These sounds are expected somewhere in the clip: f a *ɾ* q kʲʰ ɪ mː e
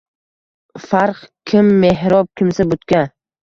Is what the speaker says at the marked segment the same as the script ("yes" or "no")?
yes